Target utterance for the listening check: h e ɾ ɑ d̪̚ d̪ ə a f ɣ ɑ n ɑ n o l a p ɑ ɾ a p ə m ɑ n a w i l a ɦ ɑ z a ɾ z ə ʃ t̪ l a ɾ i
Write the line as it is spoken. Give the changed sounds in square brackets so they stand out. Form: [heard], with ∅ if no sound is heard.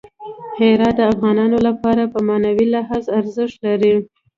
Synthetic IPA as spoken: h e ɾ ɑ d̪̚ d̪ ə a f ɣ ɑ n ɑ n o l a p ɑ ɾ a p ə m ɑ n a w i l a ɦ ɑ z a ɾ z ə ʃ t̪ l a ɾ i